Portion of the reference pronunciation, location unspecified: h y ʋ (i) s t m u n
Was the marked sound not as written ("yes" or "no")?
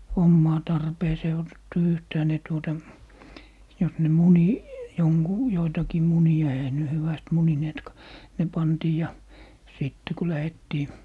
yes